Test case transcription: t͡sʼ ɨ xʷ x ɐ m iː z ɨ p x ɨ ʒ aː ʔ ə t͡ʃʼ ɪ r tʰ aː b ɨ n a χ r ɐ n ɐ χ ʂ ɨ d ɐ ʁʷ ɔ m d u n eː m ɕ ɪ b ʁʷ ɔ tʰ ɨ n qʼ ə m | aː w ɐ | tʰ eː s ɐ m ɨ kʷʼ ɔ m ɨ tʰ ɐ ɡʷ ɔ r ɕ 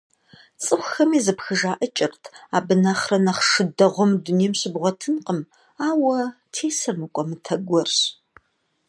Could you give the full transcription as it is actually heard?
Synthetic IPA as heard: t͡sʼ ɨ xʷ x ɐ m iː z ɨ p x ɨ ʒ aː ʔ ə t͡ʃʼ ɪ r tʰ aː b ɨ n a χ r ɐ n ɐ χ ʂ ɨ d ɐ ʁʷ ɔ m d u n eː m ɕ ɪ b ʁʷ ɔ tʰ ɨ n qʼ ə m | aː w ɐ | tʰ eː s ɐ m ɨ kʷʼ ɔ m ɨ tʰ ɐ ɡʷ ɔ r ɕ